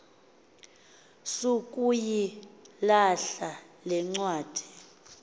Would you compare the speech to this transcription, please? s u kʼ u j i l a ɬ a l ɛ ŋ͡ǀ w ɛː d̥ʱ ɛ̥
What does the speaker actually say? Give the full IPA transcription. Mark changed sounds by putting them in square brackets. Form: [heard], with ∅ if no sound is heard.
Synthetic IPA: s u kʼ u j i l a ɬ a l ɛ ŋ͡ǀ w [aː] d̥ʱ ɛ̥